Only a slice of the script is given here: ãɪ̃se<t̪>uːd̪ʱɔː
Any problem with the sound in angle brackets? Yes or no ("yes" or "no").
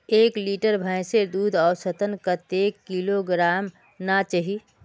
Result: yes